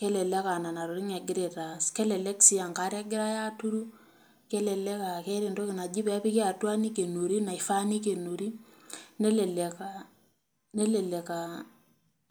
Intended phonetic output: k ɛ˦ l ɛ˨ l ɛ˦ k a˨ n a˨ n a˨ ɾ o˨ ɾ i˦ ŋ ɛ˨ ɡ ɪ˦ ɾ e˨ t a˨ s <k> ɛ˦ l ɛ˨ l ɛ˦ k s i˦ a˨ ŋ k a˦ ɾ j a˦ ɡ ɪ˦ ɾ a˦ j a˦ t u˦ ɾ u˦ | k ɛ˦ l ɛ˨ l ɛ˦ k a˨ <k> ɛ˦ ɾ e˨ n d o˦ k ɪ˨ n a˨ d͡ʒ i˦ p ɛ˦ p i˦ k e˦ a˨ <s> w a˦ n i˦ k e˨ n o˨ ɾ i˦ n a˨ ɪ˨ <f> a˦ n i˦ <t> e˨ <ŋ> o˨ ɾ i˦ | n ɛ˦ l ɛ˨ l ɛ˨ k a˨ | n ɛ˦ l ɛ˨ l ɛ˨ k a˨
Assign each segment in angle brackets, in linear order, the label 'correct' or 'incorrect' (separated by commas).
correct, correct, incorrect, correct, incorrect, incorrect